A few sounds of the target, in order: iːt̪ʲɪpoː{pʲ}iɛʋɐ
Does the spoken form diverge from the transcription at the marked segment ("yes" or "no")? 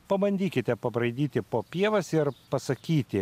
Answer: no